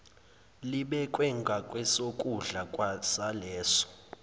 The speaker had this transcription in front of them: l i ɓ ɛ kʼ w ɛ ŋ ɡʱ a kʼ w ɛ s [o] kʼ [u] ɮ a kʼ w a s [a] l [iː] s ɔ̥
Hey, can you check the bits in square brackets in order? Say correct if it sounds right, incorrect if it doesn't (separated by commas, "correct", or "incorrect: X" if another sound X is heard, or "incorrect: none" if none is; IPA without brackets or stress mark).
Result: correct, correct, correct, incorrect: ɛː